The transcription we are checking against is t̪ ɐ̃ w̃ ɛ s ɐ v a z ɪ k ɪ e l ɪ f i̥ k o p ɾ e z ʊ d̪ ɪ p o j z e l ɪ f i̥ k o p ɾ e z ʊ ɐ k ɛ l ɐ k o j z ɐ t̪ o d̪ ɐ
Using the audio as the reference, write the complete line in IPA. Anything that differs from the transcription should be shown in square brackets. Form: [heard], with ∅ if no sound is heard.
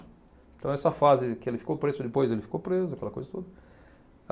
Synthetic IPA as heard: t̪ ɐ̃ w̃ ɛ s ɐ [f] a z ɪ k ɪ e l ɪ f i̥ k o p ɾ e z ʊ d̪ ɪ p o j z e l ɪ f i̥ k o p ɾ e z ʊ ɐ k ɛ l ɐ k o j z ɐ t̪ o d̪ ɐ